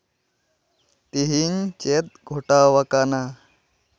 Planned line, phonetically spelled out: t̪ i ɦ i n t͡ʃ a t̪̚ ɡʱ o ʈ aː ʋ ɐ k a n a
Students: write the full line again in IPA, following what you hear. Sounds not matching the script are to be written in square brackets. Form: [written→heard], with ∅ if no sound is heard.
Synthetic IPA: t̪ i ɦ i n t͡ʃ [a→e] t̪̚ ɡʱ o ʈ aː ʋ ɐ k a n a